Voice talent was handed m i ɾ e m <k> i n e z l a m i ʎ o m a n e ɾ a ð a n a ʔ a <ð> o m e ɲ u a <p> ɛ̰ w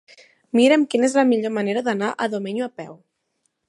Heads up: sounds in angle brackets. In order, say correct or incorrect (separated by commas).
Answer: correct, correct, correct